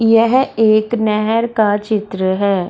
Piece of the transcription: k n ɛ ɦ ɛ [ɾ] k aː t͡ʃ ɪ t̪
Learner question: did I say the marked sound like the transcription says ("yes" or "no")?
yes